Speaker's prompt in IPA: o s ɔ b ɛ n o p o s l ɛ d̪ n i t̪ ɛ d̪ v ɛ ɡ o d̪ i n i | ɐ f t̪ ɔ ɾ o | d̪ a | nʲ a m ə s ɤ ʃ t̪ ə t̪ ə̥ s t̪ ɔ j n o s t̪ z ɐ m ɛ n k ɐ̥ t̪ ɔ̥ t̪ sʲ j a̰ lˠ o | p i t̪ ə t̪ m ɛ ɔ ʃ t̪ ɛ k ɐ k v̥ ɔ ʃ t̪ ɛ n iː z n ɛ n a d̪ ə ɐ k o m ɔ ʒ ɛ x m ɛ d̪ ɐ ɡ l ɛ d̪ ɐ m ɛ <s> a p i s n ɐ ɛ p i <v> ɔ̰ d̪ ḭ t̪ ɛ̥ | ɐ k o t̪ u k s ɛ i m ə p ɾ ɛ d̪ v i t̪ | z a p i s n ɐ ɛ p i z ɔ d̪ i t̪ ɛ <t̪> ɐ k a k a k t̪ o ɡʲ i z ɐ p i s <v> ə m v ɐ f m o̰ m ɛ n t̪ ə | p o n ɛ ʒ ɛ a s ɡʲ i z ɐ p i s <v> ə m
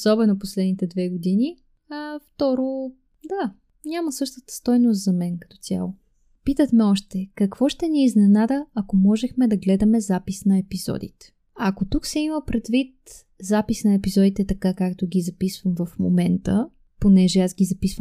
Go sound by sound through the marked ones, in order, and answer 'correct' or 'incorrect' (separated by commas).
incorrect, incorrect, correct, correct, correct